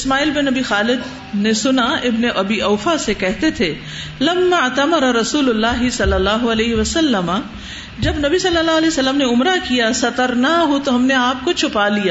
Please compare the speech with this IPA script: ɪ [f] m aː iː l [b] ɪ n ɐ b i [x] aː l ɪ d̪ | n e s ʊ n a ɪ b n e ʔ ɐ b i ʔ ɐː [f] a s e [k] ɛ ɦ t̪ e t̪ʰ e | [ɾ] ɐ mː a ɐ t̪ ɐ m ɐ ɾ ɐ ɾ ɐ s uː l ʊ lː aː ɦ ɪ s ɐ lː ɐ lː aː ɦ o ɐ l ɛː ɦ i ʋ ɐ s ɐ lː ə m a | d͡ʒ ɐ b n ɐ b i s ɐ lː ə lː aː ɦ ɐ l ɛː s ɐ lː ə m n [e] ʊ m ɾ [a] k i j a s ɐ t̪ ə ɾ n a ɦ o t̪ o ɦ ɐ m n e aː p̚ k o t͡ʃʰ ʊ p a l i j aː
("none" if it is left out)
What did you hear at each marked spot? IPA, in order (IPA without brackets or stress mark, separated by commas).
s, b, x, f, k, l, e, a